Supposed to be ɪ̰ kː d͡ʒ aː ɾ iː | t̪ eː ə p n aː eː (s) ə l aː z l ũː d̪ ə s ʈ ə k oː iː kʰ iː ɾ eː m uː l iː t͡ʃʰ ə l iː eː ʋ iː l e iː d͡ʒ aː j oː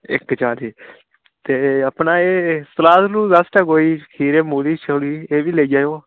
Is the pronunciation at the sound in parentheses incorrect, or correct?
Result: correct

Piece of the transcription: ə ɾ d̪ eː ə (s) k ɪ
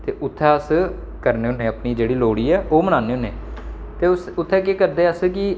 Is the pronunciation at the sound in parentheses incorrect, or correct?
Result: correct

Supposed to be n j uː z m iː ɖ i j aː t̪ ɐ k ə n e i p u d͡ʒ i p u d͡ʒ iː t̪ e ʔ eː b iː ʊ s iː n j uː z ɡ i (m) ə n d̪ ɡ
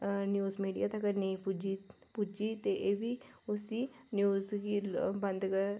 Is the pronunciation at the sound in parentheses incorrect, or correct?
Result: incorrect: b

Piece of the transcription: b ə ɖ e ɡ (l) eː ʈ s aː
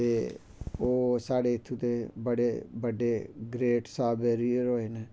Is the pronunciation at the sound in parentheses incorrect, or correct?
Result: incorrect: ɾ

